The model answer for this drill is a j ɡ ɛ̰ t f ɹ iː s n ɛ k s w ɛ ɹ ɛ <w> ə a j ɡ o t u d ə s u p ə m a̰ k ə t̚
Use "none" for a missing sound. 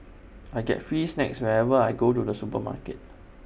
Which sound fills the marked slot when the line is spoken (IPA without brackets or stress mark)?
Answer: v